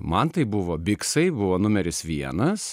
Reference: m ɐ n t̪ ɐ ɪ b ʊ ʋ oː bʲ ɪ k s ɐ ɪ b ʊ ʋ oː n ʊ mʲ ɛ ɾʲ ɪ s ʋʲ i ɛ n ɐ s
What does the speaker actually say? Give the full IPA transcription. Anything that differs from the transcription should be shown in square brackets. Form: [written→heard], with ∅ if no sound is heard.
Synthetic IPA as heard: m ɐ n t̪ ɐ ɪ b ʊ ʋ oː bʲ ɪ k s ɐ ɪ b ʊ ʋ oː n ʊ mʲ ɛ ɾʲ ɪ s ʋʲ i ɛ n ɐ s

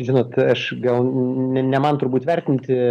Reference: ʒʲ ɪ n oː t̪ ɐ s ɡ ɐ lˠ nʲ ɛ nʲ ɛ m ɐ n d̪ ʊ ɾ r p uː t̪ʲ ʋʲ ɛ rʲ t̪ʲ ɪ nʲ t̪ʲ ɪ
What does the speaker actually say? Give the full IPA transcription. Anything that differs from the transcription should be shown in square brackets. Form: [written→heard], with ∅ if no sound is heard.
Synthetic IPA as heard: ʒʲ ɪ n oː t̪ ɐ [s→ʃ] ɡ ɐ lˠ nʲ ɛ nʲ ɛ m ɐ n [d̪→t̪] ʊ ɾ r [p→b] uː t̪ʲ ʋʲ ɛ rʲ t̪ʲ ɪ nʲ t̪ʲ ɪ

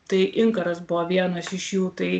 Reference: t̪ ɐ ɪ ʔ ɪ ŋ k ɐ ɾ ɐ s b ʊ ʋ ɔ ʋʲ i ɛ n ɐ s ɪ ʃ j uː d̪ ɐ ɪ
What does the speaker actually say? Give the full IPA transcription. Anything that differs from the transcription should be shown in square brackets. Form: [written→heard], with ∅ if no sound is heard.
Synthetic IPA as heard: t̪ ɐ ɪ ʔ ɪ ŋ k ɐ ɾ ɐ s b ʊ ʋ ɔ ʋʲ i ɛ n ɐ s ɪ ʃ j uː [d̪→t̪] ɐ ɪ

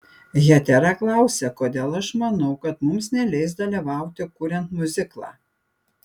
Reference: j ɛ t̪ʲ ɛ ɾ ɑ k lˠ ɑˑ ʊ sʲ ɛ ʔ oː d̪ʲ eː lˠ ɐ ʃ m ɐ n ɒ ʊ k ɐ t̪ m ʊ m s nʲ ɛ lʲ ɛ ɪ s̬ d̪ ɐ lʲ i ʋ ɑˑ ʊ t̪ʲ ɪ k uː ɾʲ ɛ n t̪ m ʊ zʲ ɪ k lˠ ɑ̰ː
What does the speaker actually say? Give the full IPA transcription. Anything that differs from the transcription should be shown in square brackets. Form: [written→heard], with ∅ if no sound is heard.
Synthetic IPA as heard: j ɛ t̪ʲ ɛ ɾ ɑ k lˠ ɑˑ ʊ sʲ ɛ [ʔ→k] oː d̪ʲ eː lˠ ɐ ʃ m ɐ n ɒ ʊ k ɐ t̪ m ʊ m s nʲ ɛ lʲ ɛ ɪ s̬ d̪ ɐ lʲ i ʋ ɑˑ ʊ t̪ʲ ɪ k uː ɾʲ ɛ n t̪ m ʊ zʲ ɪ k lˠ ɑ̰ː

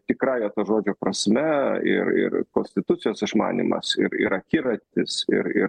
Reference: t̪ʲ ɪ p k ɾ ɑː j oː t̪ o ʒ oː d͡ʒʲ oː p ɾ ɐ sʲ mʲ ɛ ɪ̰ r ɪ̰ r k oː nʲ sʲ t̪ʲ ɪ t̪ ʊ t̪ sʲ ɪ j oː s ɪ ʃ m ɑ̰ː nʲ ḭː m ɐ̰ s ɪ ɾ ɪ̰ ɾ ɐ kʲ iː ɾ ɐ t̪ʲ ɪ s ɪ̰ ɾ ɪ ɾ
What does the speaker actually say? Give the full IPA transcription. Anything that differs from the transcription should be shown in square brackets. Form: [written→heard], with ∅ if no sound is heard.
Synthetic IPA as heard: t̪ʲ ɪ [p→∅] k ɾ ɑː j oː t̪ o ʒ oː d͡ʒʲ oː p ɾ ɐ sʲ mʲ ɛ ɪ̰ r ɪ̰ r k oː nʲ sʲ t̪ʲ ɪ t̪ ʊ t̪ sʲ ɪ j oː s ɪ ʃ m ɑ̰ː nʲ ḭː m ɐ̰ s ɪ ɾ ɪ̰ ɾ ɐ kʲ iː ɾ ɐ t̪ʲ ɪ s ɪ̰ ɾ ɪ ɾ

